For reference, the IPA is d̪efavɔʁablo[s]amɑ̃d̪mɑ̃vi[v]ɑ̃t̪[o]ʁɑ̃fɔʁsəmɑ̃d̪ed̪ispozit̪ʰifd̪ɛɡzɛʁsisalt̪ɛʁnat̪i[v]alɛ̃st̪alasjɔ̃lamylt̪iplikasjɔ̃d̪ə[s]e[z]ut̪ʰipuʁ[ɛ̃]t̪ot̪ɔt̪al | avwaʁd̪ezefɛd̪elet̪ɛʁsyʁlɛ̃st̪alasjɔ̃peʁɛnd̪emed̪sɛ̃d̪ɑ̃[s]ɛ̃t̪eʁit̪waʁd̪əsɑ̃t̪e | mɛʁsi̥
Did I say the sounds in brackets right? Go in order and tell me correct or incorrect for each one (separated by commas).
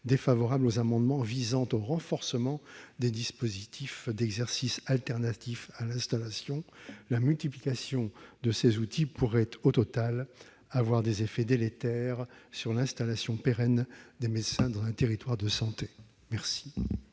incorrect, incorrect, correct, incorrect, correct, correct, incorrect, incorrect